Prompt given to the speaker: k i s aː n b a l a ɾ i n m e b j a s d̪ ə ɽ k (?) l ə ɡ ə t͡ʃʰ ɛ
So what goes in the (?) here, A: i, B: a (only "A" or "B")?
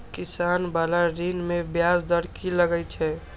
A